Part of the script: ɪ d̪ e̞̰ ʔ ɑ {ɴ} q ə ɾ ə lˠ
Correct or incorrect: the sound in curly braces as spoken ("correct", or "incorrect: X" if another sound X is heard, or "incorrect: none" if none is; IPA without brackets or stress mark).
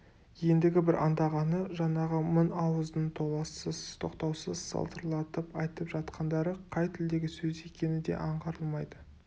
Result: correct